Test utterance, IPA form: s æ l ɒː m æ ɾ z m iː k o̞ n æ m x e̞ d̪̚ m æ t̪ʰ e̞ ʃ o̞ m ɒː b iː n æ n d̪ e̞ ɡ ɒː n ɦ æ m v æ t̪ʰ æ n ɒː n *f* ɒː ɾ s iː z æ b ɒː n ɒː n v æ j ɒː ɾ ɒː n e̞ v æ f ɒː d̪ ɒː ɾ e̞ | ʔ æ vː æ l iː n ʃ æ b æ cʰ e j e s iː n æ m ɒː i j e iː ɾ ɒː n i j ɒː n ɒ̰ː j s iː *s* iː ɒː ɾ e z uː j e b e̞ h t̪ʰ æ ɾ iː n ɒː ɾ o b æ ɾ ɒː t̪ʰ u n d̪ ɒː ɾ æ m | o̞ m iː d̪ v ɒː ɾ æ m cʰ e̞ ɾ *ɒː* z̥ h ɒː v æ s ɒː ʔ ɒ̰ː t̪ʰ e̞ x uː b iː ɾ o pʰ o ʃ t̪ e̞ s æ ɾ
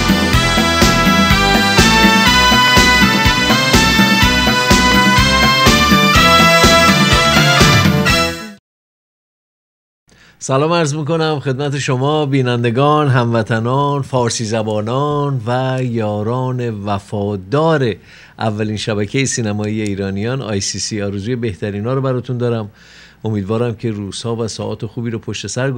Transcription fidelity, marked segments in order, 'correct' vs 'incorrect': correct, correct, incorrect: uː

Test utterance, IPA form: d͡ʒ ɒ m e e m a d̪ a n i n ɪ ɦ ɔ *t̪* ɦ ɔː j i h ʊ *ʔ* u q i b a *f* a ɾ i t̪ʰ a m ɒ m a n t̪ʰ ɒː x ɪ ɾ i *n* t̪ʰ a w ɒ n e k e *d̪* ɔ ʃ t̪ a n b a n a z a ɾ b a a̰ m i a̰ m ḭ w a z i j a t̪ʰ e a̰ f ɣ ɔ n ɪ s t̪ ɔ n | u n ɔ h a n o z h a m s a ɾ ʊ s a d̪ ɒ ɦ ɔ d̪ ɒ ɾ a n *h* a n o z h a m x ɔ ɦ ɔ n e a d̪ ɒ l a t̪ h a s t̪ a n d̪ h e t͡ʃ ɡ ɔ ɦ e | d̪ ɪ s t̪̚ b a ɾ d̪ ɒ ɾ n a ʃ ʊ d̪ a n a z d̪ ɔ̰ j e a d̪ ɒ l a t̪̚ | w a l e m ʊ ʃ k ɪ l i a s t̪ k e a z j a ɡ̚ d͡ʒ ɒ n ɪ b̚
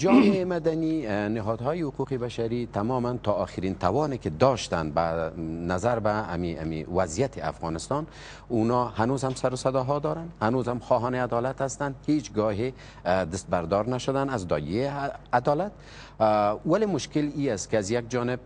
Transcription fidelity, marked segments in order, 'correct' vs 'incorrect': incorrect: d̪, incorrect: q, incorrect: ʃ, correct, correct, correct

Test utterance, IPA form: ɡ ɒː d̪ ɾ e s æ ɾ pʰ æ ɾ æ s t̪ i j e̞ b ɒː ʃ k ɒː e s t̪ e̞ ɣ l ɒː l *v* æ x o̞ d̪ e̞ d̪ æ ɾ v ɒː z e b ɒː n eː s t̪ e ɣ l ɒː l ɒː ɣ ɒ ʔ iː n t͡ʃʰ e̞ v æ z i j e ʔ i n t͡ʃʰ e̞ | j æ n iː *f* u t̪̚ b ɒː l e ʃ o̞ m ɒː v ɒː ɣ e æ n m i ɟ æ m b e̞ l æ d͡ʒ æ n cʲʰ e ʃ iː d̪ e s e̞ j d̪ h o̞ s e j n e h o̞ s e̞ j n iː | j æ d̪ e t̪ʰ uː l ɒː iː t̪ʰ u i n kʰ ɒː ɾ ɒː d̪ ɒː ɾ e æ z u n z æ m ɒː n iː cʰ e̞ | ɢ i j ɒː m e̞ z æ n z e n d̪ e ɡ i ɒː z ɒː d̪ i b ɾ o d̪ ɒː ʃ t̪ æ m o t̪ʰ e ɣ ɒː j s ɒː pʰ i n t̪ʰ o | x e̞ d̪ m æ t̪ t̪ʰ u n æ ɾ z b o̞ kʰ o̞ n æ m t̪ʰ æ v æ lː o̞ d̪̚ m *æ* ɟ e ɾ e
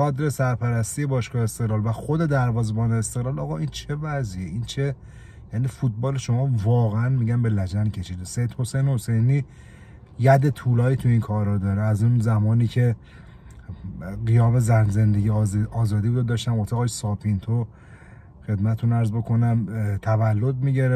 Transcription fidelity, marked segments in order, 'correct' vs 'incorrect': correct, correct, incorrect: i

